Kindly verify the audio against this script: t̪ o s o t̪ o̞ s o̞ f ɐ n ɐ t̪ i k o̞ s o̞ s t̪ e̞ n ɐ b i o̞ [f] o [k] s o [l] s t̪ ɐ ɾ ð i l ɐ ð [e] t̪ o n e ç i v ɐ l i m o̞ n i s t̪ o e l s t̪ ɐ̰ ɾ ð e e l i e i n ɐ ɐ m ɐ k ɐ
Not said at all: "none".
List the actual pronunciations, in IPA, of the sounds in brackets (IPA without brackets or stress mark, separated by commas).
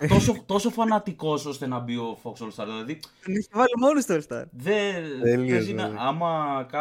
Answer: f, k, l, i